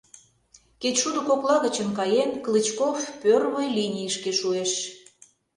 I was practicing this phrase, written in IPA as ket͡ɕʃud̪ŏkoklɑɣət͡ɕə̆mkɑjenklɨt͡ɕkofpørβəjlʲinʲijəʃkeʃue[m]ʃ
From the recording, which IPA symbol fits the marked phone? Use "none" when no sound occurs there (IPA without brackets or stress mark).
none